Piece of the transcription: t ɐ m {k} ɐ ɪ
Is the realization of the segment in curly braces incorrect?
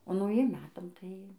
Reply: yes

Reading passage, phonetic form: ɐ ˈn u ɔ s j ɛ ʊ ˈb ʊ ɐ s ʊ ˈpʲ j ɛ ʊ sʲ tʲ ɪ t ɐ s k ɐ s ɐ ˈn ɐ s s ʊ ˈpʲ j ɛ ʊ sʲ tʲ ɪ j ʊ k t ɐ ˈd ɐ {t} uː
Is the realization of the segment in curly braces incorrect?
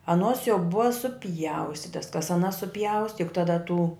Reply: no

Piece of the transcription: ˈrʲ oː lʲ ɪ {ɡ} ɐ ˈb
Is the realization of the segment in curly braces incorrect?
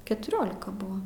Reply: yes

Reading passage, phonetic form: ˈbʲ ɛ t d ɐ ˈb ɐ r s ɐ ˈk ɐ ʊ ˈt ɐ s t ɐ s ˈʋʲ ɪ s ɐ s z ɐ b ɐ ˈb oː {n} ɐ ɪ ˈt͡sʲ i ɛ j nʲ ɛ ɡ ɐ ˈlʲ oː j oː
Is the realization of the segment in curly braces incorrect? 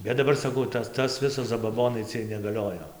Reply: no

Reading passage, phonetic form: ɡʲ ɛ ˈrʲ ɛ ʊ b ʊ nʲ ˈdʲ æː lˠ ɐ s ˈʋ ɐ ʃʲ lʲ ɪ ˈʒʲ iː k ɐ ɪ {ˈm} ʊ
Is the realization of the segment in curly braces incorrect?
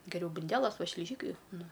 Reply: yes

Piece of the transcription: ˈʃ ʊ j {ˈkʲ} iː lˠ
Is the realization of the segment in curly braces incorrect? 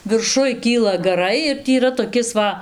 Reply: no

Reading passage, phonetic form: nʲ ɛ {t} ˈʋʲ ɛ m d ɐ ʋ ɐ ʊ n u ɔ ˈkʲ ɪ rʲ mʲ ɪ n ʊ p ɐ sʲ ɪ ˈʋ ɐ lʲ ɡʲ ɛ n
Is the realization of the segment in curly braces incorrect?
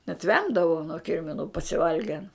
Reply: no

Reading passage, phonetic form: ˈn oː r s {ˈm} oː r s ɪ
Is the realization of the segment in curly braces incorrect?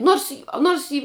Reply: yes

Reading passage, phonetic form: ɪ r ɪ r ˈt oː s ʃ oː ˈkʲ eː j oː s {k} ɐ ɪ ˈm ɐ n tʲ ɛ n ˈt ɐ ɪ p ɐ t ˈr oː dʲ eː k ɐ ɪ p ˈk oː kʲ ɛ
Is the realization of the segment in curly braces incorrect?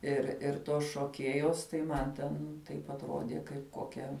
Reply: yes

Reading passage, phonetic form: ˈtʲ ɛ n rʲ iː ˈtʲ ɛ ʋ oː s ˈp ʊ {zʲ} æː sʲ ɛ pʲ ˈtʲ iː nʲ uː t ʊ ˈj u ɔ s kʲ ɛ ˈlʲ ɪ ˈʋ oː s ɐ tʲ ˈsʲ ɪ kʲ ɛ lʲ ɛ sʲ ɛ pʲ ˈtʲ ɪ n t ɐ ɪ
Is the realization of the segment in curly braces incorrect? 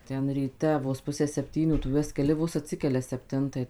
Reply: yes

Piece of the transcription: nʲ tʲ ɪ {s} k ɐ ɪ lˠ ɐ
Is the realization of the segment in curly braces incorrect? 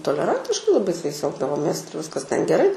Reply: yes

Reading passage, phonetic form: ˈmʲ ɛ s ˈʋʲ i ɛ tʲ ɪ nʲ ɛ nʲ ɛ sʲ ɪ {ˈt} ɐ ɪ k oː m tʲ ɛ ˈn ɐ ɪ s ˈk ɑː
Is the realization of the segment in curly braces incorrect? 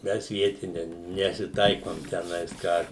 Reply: no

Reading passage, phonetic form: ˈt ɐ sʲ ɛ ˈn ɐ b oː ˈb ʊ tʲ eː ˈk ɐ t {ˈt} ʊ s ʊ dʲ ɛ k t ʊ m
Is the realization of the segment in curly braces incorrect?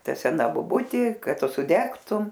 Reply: no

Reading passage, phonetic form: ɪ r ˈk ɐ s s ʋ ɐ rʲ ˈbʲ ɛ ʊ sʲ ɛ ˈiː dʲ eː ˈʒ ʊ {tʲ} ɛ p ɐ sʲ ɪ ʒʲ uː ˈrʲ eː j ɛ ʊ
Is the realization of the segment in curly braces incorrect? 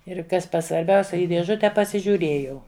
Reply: no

